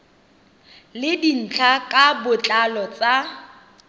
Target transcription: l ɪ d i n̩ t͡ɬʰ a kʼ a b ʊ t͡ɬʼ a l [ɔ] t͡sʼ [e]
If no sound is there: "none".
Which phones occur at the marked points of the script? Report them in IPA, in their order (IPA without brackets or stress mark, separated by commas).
ɔ, a